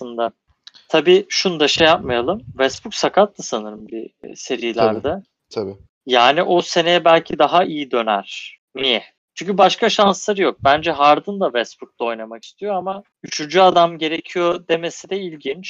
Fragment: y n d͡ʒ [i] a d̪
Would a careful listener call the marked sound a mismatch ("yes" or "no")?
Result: yes